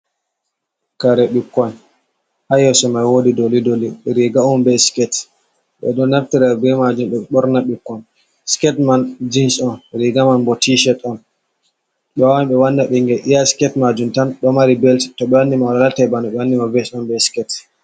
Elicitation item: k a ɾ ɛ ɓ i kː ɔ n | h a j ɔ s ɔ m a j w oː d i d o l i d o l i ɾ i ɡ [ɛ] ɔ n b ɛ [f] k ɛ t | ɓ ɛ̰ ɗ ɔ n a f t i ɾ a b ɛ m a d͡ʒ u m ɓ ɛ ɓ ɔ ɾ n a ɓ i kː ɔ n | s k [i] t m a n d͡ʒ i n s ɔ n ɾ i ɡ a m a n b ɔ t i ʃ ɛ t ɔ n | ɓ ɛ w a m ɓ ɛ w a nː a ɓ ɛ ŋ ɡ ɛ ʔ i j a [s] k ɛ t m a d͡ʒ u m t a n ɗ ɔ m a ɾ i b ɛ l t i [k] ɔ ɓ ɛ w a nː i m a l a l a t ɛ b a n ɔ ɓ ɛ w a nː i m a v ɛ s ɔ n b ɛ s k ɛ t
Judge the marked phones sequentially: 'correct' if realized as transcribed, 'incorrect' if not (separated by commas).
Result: incorrect, incorrect, incorrect, correct, incorrect